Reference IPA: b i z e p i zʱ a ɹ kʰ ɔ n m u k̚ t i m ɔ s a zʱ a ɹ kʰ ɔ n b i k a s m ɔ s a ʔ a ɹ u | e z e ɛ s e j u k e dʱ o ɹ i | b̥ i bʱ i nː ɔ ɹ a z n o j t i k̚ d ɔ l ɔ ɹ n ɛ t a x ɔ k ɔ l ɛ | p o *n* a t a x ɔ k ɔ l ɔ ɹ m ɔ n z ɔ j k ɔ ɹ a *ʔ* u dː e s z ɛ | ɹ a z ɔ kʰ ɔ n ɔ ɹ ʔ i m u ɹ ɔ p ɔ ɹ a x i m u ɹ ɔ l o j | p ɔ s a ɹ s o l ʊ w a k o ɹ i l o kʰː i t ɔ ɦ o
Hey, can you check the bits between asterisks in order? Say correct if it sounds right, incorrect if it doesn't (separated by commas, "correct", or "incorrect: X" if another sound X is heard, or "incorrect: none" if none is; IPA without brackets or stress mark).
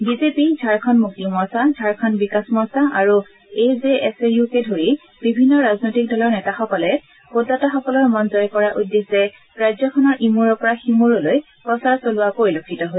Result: incorrect: d, correct